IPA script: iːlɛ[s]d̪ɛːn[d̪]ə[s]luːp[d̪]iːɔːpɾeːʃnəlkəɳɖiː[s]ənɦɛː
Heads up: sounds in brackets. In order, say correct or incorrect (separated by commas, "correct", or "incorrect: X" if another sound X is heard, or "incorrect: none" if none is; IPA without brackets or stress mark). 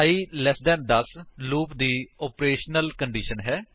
correct, correct, correct, correct, incorrect: ʃ